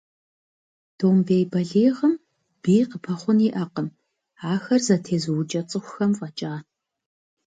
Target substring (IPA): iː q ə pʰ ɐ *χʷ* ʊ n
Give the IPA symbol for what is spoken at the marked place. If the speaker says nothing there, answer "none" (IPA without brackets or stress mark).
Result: χʷ